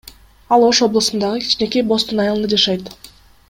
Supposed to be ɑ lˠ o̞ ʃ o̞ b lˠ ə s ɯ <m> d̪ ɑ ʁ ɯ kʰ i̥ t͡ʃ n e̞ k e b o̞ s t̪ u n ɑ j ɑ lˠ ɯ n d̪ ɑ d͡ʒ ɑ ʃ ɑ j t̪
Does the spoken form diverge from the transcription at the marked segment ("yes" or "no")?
yes